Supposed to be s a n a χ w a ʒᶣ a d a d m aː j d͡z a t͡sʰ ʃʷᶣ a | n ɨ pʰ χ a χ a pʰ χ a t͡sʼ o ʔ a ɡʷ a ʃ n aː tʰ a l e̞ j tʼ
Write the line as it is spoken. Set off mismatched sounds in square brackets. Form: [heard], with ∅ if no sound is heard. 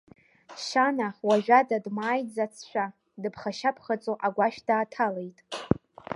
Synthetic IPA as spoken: [ʃ] a n a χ w a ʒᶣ a d a d m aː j d͡z a t͡sʰ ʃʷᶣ a | [d] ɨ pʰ χ a [ʃ] a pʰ χ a t͡sʼ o ʔ a ɡʷ a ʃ [d] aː tʰ a l e̞ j tʼ